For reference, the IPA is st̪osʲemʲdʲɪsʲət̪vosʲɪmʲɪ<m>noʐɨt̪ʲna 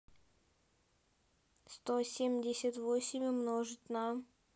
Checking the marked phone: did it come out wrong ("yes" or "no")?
no